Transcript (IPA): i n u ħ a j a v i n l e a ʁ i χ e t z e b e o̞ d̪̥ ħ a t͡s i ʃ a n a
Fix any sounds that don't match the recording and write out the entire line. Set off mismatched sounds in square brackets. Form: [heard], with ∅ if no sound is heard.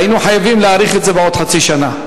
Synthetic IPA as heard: i n u ħ a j a v i [m] l e a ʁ i χ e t z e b e o̞ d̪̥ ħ a t͡s i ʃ a n a